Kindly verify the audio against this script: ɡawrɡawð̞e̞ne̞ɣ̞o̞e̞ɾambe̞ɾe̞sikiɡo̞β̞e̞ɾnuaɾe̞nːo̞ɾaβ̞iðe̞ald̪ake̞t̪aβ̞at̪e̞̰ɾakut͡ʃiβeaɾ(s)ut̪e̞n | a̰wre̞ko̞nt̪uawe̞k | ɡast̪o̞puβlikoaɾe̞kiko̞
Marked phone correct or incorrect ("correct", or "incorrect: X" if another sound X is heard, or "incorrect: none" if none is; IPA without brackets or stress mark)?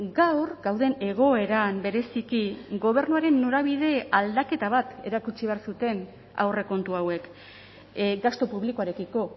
correct